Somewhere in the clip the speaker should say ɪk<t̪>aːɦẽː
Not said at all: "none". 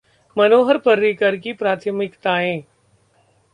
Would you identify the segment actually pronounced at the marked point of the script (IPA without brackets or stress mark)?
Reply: t̪